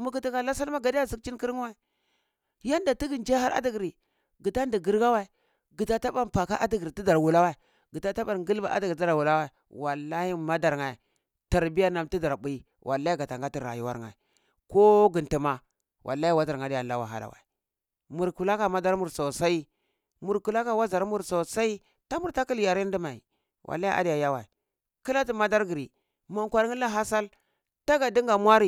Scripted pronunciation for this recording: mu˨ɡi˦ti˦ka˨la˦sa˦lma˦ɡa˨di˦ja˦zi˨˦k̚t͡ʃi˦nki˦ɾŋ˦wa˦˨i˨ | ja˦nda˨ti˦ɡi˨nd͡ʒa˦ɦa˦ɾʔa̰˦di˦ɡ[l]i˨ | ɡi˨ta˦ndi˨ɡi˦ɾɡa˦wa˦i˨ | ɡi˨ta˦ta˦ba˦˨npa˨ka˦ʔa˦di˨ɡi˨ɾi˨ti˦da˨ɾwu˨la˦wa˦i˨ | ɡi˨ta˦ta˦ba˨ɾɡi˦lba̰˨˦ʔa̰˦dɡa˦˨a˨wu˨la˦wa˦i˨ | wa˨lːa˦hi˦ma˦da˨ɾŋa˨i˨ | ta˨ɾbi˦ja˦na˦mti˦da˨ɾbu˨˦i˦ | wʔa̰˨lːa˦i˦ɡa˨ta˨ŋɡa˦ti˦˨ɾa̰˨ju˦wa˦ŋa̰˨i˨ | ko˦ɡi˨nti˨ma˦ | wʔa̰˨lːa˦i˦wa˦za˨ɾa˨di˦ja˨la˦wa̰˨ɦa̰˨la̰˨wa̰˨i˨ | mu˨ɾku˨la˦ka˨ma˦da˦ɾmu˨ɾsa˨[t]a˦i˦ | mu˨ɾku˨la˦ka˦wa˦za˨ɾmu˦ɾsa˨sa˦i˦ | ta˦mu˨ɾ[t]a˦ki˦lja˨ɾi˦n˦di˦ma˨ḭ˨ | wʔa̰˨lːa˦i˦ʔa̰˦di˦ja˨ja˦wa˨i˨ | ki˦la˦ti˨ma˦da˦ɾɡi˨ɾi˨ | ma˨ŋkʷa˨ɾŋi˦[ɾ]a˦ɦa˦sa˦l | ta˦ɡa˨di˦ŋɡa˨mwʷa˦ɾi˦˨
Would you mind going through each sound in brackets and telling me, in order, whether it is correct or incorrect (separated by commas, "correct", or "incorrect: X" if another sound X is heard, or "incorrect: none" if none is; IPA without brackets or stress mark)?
incorrect: ɾ, incorrect: s, correct, incorrect: l